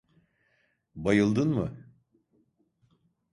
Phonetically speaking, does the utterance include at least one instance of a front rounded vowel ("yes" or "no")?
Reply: no